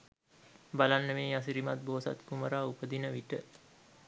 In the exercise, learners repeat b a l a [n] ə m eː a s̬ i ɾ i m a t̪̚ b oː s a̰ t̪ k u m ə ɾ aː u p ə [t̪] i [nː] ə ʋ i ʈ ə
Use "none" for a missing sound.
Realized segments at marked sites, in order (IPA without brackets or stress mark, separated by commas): nː, d̪, n